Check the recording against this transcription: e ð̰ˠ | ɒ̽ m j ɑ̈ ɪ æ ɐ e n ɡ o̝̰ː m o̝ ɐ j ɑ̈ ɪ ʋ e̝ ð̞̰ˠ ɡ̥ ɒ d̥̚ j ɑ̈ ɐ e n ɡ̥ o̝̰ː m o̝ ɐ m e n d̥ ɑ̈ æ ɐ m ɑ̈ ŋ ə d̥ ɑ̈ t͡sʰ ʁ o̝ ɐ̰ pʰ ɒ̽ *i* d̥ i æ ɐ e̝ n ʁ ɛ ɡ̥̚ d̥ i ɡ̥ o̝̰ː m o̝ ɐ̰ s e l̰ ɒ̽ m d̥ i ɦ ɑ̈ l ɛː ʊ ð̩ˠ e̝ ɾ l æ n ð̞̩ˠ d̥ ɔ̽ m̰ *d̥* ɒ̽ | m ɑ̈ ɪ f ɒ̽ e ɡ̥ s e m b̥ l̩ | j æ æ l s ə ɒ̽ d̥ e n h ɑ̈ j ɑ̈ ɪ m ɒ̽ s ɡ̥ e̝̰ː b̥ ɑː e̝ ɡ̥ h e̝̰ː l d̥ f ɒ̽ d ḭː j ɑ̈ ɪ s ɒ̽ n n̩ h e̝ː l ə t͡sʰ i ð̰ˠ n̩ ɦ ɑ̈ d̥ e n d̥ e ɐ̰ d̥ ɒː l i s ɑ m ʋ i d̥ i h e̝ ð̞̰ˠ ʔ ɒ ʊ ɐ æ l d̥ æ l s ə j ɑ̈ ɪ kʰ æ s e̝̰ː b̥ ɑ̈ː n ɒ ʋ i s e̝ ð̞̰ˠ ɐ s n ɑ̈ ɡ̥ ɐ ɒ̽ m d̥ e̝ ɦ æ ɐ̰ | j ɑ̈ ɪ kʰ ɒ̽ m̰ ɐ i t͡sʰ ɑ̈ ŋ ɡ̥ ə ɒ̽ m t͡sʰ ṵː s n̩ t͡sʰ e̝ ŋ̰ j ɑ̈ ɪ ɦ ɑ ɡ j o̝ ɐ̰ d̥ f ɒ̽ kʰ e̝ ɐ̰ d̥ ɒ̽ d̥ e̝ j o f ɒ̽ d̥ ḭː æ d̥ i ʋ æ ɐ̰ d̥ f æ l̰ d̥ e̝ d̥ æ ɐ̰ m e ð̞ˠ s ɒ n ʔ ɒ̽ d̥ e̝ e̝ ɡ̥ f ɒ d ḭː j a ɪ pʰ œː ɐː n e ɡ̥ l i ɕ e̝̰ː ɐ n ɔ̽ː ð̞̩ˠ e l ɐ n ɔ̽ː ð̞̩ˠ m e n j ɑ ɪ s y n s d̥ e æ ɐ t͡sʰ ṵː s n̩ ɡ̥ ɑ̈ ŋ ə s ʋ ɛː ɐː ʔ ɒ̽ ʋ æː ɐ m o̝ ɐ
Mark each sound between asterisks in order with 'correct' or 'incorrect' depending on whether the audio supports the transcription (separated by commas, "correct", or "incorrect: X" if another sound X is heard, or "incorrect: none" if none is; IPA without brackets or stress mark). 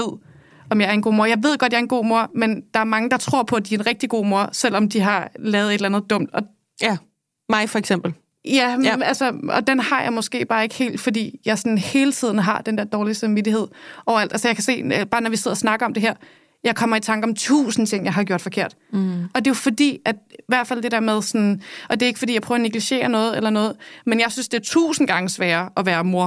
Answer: incorrect: æ, correct